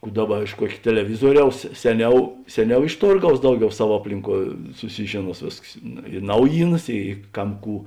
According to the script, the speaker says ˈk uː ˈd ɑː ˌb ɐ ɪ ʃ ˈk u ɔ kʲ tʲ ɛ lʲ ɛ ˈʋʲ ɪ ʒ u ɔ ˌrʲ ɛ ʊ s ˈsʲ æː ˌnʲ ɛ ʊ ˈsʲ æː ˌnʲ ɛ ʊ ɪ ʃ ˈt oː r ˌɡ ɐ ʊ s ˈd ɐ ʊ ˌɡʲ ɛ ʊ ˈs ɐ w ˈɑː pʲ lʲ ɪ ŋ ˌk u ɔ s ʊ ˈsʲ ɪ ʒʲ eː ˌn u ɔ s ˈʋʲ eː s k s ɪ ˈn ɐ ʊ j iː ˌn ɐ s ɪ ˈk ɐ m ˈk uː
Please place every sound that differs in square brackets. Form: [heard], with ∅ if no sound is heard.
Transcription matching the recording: ˈk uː ˈd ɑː ˌb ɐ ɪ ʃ ˈk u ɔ kʲ tʲ ɛ lʲ ɛ ˈʋʲ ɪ [z] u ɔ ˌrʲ ɛ ʊ s ˈsʲ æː ˌnʲ ɛ ʊ ˈsʲ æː ˌnʲ ɛ ʊ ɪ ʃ ˈt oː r ˌɡ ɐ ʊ s ˈd ɐ ʊ ˌɡʲ ɛ ʊ ˈs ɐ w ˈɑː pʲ lʲ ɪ ŋ ˌk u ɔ s ʊ ˈsʲ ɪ ʒʲ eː ˌn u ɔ s ˈʋʲ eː s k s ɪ ˈn ɐ ʊ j iː ˌn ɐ s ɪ ˈk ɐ m ˈk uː